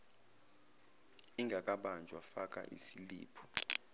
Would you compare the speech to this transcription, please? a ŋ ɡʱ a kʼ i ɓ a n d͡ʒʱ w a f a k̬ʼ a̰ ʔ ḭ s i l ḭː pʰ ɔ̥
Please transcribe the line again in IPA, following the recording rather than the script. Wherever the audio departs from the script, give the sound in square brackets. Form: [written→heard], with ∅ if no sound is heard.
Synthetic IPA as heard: [a→i] ŋ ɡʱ a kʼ [i→a] ɓ a n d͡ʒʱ w a f a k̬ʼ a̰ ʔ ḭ s i l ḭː pʰ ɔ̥

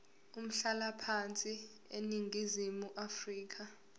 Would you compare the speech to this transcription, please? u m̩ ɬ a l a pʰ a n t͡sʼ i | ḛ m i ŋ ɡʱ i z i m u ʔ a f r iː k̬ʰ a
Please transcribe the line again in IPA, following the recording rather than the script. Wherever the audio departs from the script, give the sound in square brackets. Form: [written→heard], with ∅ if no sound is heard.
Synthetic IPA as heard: u m̩ ɬ a l a pʰ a n t͡sʼ i | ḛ [m→n] i ŋ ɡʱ i z i m u ʔ a f r iː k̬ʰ a

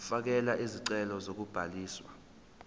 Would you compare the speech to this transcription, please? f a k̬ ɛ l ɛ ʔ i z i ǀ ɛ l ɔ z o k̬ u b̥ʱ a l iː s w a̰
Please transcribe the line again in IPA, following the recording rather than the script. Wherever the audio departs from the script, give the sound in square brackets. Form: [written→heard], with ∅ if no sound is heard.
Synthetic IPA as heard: f a k̬ ɛ l [ɛ→a] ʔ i z i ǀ ɛ l ɔ z o k̬ u b̥ʱ a l iː s w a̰

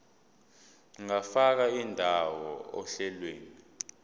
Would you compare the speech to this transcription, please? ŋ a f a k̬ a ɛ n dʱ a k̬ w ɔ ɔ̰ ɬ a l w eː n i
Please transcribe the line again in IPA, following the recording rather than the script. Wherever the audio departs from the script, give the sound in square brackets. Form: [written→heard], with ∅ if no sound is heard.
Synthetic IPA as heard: ŋ a f a k̬ a [ɛ→i] n dʱ a [k̬→∅] w ɔ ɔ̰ ɬ [a→ɛ] l w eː n i

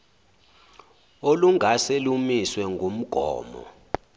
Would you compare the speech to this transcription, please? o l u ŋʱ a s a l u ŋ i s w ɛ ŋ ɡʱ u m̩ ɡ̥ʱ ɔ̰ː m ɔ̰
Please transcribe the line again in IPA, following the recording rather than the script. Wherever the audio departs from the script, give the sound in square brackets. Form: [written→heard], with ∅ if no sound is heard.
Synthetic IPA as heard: o l u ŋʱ a s [a→e] l u [ŋ→m] i s w ɛ ŋ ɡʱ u m̩ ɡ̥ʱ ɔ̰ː m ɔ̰

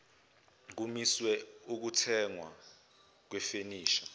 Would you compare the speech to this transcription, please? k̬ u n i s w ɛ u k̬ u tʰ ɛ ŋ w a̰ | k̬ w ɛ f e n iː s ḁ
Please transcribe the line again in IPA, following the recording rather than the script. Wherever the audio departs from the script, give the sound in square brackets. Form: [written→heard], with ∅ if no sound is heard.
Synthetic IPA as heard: k̬ u [n→m] i s w ɛ u k̬ u tʰ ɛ ŋ w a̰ | k̬ w ɛ f e n iː [s→ʃ] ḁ

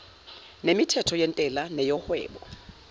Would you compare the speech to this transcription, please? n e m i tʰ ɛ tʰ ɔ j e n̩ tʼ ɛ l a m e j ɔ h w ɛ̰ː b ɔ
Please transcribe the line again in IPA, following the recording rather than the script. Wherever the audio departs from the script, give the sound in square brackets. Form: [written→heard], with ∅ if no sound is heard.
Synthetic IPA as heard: n e m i tʰ ɛ tʰ ɔ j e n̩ tʼ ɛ l a [m→n] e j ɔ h w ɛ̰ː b ɔ

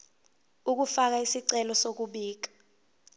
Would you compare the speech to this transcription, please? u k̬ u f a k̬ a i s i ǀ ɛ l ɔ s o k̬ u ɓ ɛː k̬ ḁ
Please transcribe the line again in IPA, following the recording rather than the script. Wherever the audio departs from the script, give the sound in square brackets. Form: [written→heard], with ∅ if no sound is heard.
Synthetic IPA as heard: u k̬ u f a k̬ a i s i ǀ ɛ l ɔ s o k̬ u ɓ [ɛː→iː] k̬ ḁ

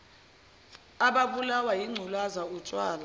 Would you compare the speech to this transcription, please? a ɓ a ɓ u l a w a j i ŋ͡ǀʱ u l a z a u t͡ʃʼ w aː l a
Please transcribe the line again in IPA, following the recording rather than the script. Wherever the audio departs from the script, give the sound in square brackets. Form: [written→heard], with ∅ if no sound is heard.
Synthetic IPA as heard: a ɓ a ɓ u l a w a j i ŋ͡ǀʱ u l a z a u t͡ʃʼ w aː l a

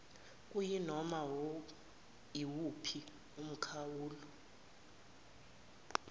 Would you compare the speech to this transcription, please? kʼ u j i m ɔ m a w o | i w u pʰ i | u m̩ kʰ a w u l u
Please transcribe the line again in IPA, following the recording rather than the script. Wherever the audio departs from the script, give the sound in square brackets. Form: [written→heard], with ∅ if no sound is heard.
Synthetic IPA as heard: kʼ u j i [m→n] ɔ m a w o | i w u pʰ i | u m̩ kʰ a w [u→uː] l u

